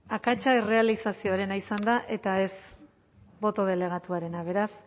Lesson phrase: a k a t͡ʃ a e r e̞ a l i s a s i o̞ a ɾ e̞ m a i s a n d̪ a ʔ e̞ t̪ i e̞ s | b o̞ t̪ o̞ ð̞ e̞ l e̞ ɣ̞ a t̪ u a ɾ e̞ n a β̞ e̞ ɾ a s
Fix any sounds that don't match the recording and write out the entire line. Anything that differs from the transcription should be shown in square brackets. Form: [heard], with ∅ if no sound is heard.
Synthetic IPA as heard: a k a t͡ʃ a e r e̞ a l i s a s i o̞ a ɾ e̞ [n] a i s a n d̪ a ʔ e̞ t̪ [a] e̞ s | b o̞ t̪ o̞ ð̞ e̞ l e̞ ɣ̞ a t̪ u a ɾ e̞ n a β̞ e̞ ɾ a s